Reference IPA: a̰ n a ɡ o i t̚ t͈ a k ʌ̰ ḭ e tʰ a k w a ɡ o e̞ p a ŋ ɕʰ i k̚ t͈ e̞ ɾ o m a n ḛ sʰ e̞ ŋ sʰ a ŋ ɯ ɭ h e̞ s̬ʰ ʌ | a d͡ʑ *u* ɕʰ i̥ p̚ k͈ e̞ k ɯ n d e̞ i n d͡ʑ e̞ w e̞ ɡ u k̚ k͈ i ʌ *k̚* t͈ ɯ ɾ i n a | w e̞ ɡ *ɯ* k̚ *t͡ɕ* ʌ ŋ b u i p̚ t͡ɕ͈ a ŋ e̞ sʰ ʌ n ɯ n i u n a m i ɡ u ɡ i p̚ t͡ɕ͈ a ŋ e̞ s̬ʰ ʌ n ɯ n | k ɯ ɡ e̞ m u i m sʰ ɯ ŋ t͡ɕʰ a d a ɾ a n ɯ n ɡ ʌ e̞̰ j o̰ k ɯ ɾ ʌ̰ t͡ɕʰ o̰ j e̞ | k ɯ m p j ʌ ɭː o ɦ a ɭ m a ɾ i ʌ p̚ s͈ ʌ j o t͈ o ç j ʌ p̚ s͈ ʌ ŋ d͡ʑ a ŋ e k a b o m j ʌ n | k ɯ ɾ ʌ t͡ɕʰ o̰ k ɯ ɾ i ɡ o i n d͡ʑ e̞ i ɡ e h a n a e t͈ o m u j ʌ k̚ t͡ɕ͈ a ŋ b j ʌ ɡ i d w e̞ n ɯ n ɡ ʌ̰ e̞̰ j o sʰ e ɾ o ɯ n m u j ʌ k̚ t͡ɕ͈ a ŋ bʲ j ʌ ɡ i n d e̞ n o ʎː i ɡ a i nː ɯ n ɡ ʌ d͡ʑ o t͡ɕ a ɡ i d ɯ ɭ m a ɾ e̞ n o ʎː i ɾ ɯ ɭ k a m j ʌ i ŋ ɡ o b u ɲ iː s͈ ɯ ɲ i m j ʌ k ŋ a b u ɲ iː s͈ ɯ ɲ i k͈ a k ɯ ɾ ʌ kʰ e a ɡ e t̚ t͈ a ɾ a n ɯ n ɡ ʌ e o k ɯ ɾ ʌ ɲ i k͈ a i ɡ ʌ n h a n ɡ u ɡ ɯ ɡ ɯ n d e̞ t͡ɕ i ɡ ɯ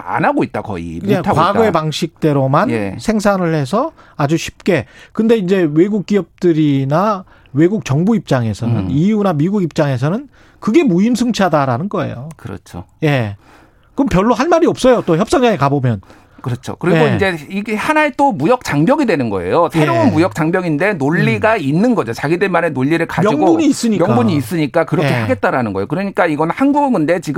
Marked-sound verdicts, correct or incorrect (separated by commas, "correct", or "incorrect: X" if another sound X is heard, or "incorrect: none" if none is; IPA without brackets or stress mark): correct, incorrect: p̚, incorrect: u, correct